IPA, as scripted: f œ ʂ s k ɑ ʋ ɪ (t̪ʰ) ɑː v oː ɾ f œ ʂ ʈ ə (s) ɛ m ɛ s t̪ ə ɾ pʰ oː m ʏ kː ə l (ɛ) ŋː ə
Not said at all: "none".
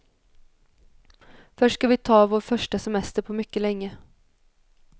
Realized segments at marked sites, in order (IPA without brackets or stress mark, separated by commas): t̪ʰ, s, ɛ